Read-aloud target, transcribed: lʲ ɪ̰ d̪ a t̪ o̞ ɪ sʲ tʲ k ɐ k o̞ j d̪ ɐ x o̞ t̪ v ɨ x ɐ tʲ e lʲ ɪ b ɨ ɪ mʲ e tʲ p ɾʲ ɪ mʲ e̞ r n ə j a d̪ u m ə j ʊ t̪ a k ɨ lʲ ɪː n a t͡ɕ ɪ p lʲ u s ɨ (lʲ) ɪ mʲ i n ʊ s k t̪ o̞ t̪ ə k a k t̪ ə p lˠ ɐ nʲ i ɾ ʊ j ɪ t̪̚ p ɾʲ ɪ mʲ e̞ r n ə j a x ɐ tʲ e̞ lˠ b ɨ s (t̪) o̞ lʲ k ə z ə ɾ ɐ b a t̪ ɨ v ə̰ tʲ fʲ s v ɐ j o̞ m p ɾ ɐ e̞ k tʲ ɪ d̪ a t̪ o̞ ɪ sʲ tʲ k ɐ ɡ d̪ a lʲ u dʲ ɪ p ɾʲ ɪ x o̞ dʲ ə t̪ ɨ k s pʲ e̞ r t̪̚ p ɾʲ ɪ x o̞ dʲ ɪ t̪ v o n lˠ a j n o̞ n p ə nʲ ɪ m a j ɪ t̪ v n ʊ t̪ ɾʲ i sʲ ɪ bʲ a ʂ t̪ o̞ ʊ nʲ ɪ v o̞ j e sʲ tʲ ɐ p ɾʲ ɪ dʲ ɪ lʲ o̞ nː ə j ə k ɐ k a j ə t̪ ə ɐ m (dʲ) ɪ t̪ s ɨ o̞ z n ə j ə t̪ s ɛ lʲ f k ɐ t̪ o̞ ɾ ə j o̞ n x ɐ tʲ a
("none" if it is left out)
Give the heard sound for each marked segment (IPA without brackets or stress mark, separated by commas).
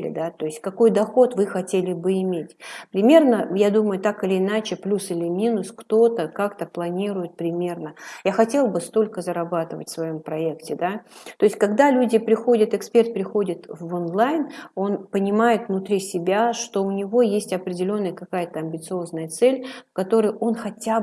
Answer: lʲ, t̪, bʲ